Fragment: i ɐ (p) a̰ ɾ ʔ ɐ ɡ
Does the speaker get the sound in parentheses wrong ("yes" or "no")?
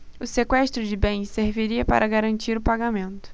no